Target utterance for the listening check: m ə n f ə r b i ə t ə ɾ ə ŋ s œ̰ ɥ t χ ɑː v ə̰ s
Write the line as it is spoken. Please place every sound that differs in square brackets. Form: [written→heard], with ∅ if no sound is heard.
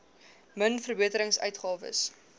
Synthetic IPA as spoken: m ə n f ə r b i ə t ə ɾ ə ŋ s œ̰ ɥ t χ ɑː v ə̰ s